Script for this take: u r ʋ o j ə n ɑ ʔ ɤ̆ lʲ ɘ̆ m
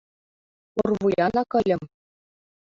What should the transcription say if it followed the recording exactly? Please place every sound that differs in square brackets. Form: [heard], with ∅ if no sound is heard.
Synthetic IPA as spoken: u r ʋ [u] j [ɑ] n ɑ [k] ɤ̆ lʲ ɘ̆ m